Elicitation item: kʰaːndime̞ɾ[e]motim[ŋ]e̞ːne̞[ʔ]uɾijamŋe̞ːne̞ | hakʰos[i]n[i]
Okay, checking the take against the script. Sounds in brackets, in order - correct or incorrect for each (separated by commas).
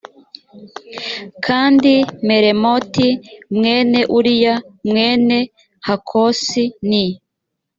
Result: correct, correct, correct, correct, correct